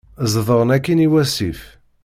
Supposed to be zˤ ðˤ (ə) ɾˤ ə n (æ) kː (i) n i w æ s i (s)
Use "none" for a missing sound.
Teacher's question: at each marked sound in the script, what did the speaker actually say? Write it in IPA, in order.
ə, æ, i, f

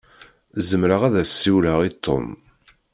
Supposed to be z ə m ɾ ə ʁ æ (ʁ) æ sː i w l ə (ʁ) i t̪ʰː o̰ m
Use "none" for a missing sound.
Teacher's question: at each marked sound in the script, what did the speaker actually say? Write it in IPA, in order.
ð, ʁ

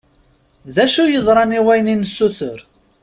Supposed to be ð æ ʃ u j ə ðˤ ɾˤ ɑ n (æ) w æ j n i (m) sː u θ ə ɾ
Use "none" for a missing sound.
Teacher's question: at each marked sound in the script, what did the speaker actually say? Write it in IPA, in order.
i, n

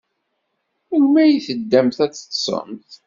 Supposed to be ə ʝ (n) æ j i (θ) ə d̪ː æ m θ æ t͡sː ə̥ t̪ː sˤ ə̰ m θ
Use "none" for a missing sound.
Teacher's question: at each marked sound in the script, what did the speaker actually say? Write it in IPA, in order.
m, θ

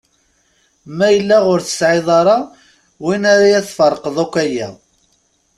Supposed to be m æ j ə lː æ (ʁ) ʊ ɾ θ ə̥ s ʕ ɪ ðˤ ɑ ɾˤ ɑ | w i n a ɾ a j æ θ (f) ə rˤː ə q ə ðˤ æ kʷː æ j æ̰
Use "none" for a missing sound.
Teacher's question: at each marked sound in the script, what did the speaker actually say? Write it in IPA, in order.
ʁ, f

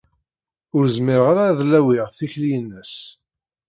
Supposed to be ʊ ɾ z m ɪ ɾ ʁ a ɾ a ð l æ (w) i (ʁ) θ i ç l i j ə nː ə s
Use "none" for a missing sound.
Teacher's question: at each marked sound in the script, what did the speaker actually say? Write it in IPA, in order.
w, ʁ

